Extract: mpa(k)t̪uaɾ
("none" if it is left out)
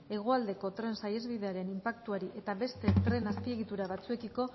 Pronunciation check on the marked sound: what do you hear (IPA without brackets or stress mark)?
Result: k